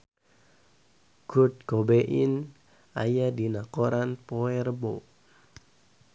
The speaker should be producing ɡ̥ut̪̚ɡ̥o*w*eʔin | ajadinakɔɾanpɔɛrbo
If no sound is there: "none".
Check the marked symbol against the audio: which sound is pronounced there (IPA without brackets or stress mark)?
b